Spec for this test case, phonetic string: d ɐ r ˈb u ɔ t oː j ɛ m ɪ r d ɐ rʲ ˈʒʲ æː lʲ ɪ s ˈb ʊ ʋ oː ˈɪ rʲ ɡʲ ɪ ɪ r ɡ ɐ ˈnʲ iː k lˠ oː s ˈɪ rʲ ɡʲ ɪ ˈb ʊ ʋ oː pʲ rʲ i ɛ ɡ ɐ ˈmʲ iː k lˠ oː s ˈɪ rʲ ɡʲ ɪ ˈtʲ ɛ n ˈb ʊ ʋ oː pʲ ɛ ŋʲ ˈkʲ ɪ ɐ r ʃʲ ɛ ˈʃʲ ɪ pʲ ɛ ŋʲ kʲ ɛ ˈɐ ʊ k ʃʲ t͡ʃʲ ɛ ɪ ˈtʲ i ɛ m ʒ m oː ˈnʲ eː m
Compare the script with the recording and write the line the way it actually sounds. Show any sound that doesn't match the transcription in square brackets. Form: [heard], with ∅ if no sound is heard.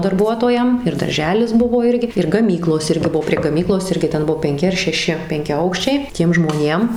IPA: d ɐ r ˈb u ɔ t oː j ɛ m ɪ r d ɐ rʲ ˈʒʲ æː lʲ ɪ s ˈb ʊ ʋ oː ˈɪ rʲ ɡʲ ɪ ɪ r ɡ ɐ [ˈmʲ] iː k lˠ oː s ˈɪ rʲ ɡʲ ɪ ˈb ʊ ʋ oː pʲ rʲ i ɛ ɡ ɐ ˈmʲ iː k lˠ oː s ˈɪ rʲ ɡʲ ɪ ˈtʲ ɛ n ˈb ʊ ʋ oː pʲ ɛ ŋʲ ˈkʲ ɪ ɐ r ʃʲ ɛ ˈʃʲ ɪ pʲ ɛ ŋʲ kʲ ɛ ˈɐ ʊ k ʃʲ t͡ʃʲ ɛ ɪ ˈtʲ i ɛ m ʒ m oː ˈnʲ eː m

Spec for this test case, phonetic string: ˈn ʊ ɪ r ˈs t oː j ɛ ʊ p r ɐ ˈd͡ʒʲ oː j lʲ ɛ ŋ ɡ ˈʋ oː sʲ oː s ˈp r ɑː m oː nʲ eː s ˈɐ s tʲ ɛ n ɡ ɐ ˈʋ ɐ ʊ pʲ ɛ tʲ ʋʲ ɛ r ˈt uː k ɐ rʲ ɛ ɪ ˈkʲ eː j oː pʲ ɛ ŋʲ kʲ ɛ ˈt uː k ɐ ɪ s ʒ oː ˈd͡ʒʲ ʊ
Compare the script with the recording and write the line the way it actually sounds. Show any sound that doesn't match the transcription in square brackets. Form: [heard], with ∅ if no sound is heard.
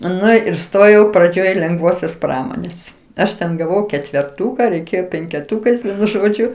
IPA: ˈn ʊ ɪ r ˈs t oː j ɛ ʊ p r ɐ ˈd͡ʒʲ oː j lʲ ɛ ŋ ɡ ˈʋ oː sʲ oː s ˈp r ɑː m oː nʲ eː s ˈɐ [ʃ] tʲ ɛ n ɡ ɐ ˈʋ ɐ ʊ [kʲ] ɛ tʲ ʋʲ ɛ r ˈt uː k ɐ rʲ ɛ ɪ ˈkʲ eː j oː pʲ ɛ ŋʲ kʲ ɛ ˈt uː k ɐ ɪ s ʒ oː ˈd͡ʒʲ ʊ

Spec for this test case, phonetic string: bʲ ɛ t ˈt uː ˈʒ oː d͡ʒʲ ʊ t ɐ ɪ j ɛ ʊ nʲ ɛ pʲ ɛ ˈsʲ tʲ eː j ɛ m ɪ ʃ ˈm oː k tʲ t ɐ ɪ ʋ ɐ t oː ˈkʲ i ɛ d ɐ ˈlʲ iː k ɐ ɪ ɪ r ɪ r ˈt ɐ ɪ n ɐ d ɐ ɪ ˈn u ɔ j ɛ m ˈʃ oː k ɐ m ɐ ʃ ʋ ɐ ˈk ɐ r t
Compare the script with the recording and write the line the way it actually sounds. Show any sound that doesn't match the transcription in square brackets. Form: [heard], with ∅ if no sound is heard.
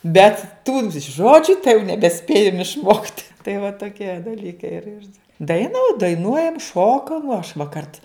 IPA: bʲ ɛ t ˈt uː ˈʒ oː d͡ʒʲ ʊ t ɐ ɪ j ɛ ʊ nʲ ɛ [bʲ] ɛ ˈsʲ [pʲ] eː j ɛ m ɪ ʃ ˈm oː k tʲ t ɐ ɪ ʋ ɐ t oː ˈkʲ i ɛ d ɐ ˈlʲ iː k ɐ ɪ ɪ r ɪ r [ˈd] ɐ ɪ n ɐ d ɐ ɪ ˈn u ɔ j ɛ m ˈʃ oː k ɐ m ɐ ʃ ʋ ɐ ˈk ɐ r t

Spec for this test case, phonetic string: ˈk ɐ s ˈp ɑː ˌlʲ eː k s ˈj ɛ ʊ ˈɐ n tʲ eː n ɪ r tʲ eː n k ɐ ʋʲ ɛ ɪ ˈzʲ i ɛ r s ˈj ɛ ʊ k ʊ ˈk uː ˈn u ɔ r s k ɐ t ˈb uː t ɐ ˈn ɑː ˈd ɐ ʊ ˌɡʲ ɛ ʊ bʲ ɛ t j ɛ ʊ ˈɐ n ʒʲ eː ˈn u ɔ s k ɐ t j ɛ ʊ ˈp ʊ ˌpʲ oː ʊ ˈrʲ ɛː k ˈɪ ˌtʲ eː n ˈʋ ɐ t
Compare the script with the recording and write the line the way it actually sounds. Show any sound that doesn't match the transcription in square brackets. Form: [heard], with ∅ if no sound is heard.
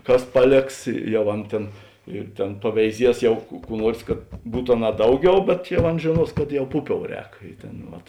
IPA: ˈk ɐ s ˈp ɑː ˌlʲ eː k s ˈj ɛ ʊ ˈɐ n tʲ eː n ɪ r tʲ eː n [p] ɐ ʋʲ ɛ ɪ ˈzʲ i ɛ [∅] s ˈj ɛ ʊ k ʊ ˈk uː ˈn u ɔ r s k ɐ t ˈb uː t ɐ ˈn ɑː ˈd ɐ ʊ ˌɡʲ ɛ ʊ bʲ ɛ t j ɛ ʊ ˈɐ n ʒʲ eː ˈn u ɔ s k ɐ t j ɛ ʊ ˈp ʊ ˌpʲ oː ʊ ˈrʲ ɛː k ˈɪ ˌtʲ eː n ˈʋ ɐ t

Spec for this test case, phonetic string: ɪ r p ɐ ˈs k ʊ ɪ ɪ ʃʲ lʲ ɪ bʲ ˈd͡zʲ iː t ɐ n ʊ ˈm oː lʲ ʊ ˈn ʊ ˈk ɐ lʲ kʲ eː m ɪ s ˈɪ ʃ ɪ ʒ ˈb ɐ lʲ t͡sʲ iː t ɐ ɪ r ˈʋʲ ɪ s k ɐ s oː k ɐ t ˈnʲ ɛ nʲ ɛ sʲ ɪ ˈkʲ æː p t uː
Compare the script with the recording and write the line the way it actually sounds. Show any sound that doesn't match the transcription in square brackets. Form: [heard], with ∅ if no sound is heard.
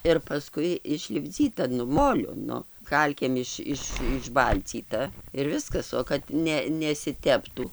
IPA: ɪ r p ɐ ˈs k ʊ ɪ ɪ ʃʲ lʲ ɪ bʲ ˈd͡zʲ iː t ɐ n ʊ ˈm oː lʲ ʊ ˈn ʊ ˈk ɐ lʲ kʲ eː m ɪ [ʃ] ˈɪ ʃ ɪ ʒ ˈb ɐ lʲ t͡sʲ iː t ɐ ɪ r ˈʋʲ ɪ s k ɐ s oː k ɐ t ˈnʲ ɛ nʲ ɛ sʲ ɪ [ˈtʲ] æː p t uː

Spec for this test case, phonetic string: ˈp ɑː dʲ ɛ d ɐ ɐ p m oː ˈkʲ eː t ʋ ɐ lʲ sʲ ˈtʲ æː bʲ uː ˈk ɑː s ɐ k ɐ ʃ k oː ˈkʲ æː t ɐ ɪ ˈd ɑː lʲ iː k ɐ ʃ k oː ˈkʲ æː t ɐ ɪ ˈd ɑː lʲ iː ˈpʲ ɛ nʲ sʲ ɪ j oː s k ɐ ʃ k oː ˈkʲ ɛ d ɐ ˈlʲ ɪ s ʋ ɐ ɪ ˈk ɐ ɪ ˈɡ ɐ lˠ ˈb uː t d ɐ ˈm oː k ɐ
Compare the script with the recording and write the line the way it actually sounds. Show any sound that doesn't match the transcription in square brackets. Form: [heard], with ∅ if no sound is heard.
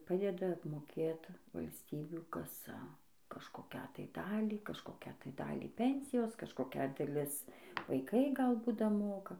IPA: ˈp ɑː dʲ ɛ d ɐ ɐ p m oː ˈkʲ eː t ʋ ɐ lʲ sʲ ˈtʲ [iː] bʲ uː ˈk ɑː s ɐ k ɐ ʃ k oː ˈkʲ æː t ɐ ɪ ˈd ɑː lʲ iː k ɐ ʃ k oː ˈkʲ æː t ɐ ɪ ˈd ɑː lʲ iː ˈpʲ ɛ nʲ sʲ ɪ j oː s k ɐ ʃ k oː ˈkʲ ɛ d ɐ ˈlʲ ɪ s ʋ ɐ ɪ ˈk ɐ ɪ ˈɡ ɐ lˠ ˈb uː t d ɐ ˈm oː k ɐ

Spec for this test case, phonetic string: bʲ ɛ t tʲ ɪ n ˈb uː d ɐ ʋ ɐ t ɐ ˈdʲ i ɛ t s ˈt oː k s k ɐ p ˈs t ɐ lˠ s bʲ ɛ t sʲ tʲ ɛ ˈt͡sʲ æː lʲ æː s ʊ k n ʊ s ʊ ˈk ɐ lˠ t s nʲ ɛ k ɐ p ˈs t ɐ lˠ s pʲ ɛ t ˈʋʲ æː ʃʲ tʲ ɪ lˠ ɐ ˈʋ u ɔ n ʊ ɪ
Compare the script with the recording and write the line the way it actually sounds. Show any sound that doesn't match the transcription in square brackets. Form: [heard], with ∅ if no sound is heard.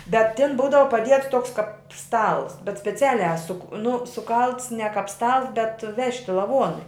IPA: bʲ ɛ t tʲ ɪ n ˈb uː d ɐ ʋ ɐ [p] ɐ ˈdʲ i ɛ t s ˈt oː k s k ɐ p ˈs t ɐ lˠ s bʲ ɛ t sʲ [pʲ] ɛ ˈt͡sʲ æː lʲ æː s ʊ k n ʊ s ʊ ˈk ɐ lˠ t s nʲ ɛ k ɐ p ˈs t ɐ lˠ s [bʲ] ɛ t ˈʋʲ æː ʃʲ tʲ ɪ lˠ ɐ ˈʋ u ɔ n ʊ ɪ

